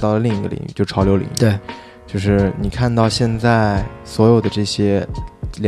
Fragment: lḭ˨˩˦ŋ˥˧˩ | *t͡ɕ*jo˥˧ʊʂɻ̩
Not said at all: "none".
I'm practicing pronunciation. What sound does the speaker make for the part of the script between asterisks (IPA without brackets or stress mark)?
t͡ɕ